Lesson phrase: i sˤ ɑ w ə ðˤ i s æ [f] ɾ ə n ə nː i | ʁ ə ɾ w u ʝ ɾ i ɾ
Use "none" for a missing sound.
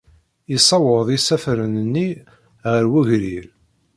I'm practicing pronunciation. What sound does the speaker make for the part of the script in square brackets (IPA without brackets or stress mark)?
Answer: f